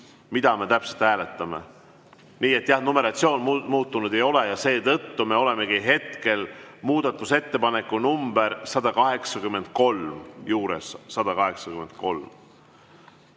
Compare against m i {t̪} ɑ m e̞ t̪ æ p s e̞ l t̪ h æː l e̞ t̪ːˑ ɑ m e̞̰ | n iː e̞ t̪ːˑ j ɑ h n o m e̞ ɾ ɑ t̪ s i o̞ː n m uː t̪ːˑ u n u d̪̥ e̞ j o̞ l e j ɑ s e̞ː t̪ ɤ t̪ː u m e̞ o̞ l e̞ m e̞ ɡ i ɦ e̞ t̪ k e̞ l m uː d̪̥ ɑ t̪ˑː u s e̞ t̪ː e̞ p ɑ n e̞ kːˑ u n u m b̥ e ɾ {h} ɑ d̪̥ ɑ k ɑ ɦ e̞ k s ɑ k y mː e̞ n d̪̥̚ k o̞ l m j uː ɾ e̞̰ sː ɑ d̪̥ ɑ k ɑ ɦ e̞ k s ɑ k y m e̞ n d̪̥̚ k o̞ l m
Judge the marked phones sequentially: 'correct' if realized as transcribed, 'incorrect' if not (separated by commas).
incorrect, incorrect